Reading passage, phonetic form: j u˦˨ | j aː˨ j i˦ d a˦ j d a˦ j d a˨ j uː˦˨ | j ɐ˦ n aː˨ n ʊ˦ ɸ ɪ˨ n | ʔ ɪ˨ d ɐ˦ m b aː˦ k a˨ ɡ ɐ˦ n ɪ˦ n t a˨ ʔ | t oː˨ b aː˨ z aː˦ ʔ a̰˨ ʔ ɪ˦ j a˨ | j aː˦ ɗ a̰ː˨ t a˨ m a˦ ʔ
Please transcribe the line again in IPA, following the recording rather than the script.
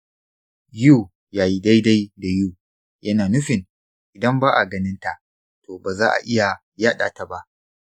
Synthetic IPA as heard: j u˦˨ | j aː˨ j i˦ d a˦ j d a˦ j d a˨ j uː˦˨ | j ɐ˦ n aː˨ n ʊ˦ ɸ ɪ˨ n | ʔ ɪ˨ d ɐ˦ m b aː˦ ʔ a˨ ɡ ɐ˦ n ɪ˦ n t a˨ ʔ | t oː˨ b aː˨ z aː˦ ʔ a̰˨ ʔ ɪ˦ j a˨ | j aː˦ ɗ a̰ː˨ t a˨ b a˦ ʔ